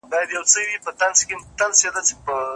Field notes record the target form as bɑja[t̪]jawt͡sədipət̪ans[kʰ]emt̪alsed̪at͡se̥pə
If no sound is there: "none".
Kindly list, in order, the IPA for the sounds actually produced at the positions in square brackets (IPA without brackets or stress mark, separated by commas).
d̪, k